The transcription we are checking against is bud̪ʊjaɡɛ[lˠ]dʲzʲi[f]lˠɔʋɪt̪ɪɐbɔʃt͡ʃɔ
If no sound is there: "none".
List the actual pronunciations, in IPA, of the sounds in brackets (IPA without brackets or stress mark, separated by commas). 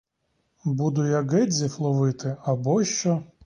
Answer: none, f